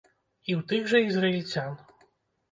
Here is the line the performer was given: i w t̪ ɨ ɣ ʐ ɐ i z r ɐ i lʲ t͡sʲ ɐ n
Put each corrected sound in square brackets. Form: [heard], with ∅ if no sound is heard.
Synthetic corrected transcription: i w t̪ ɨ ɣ ʐ ɐ i z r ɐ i lʲ t͡sʲ [a] n